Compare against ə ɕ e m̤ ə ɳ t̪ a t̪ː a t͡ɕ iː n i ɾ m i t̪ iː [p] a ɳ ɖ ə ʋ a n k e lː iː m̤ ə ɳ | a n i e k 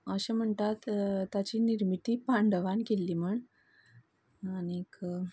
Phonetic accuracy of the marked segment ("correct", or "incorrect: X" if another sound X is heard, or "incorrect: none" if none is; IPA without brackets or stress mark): correct